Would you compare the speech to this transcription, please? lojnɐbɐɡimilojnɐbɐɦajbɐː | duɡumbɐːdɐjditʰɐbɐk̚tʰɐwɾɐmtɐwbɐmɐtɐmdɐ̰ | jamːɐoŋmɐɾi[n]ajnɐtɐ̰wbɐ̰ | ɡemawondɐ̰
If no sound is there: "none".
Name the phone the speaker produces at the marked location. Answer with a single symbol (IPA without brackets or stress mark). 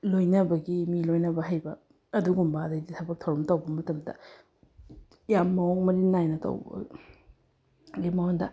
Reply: n